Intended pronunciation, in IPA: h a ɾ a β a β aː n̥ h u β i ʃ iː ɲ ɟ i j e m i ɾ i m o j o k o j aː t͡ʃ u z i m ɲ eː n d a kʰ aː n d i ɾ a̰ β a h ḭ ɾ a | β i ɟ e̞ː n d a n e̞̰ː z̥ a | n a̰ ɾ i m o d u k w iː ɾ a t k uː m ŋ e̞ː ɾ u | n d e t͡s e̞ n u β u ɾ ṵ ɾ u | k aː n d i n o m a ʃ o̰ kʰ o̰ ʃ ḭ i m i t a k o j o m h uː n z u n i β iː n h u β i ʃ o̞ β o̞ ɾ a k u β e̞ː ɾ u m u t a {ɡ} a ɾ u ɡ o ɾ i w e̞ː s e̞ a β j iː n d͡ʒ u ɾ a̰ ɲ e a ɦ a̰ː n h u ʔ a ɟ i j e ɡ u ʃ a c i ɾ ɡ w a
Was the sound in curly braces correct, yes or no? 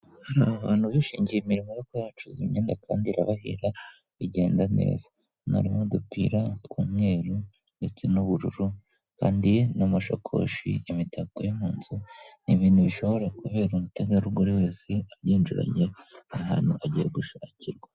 yes